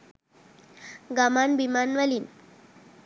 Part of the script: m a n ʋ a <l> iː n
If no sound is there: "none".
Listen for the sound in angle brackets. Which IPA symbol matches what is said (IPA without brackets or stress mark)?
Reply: l